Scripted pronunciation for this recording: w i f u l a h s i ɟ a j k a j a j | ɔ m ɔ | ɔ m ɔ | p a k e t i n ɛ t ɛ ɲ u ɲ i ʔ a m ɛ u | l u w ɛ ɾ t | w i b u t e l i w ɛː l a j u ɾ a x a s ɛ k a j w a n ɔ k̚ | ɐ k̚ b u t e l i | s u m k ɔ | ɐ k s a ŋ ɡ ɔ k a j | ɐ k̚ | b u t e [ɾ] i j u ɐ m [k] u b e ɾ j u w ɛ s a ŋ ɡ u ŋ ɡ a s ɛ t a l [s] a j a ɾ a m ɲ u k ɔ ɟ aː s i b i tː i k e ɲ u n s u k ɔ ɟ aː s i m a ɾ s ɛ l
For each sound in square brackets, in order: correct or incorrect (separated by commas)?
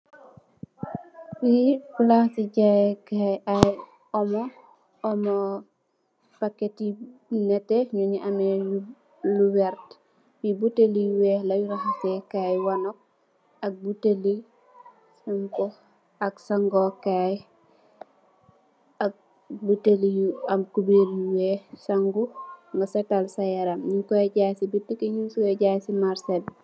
incorrect, correct, correct